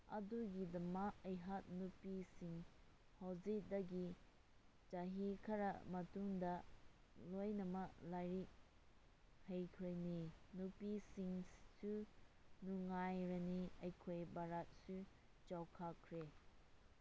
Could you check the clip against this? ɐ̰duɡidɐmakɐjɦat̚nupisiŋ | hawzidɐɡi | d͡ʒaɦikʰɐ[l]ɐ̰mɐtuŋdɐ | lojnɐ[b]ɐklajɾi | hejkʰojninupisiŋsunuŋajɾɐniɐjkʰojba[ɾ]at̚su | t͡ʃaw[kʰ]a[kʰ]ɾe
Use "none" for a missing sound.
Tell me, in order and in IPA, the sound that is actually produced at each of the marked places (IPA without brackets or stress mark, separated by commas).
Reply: ɾ, m, ɾ, kʰ, kʰ